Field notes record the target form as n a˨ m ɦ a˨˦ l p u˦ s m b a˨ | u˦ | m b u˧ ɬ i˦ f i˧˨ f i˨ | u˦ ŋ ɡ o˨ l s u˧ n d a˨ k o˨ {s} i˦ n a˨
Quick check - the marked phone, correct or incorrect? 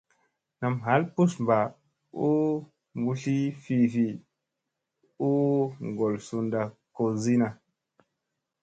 incorrect